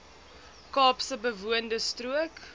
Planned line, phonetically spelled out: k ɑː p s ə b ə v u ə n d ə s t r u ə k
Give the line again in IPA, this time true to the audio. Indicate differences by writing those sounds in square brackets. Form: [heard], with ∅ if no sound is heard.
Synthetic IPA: k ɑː p s ə b ə v u ə n d ə s t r u ə k

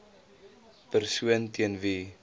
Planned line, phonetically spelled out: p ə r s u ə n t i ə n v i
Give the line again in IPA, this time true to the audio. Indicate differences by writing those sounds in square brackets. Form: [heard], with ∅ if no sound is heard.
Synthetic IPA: p ə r s u ə n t i ə n v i

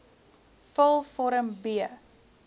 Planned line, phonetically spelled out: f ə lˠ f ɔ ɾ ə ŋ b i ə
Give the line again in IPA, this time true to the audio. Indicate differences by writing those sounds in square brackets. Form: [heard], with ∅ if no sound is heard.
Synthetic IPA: f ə lˠ f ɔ ɾ ə [m] b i ə

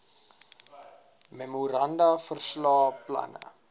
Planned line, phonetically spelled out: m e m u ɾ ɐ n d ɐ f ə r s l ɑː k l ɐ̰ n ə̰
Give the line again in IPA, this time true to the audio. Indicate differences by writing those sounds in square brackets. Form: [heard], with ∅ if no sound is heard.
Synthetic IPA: m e m u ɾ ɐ n d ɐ f ə r s l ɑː [p] l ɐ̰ n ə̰

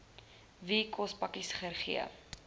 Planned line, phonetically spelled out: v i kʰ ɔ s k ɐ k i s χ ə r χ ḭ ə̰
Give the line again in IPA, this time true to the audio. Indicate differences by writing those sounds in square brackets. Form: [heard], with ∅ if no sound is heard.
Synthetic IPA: v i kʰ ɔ s [p] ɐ k i s χ ə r χ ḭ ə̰

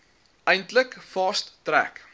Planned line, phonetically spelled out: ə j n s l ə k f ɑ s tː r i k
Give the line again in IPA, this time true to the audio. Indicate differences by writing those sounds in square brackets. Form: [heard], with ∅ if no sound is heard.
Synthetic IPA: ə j n [t] l ə k f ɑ s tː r [æ] k

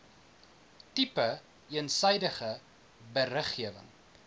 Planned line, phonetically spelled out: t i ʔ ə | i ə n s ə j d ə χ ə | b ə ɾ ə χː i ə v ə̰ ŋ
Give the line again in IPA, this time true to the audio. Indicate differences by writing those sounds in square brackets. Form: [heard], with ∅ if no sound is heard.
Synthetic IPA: t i [p] ə | i ə n s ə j d ə χ ə | b ə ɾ ə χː i ə v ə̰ ŋ

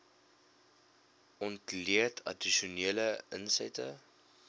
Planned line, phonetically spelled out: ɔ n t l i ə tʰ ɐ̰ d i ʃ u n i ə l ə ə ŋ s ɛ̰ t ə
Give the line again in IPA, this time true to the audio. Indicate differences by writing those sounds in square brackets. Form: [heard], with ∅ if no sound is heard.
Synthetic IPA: ɔ n t l i ə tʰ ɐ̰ d i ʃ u n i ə l ə ə [n] s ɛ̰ t ə

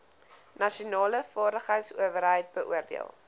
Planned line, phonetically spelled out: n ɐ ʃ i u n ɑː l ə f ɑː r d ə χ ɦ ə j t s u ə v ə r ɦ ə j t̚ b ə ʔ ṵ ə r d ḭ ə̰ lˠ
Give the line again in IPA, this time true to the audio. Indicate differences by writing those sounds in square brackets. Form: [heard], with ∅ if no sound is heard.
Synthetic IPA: n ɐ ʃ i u n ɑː l ə f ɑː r d ə χ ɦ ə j t s u ə v ə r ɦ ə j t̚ b ə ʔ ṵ ə r d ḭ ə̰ lˠ

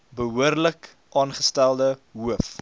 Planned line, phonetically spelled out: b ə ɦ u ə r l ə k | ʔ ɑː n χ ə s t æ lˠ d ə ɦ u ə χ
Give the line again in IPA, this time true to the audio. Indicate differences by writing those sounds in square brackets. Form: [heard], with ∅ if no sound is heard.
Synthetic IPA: b ə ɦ u ə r l ə k | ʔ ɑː n χ ə s t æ lˠ d ə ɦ u ə [f]

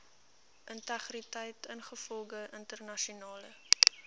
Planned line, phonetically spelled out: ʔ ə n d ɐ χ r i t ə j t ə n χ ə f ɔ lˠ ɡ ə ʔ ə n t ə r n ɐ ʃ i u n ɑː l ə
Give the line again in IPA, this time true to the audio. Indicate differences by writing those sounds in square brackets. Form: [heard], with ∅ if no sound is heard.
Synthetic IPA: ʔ ə n [t] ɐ χ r i t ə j t ə n χ ə f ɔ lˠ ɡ ə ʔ ə n t ə r n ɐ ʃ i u n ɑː l ə

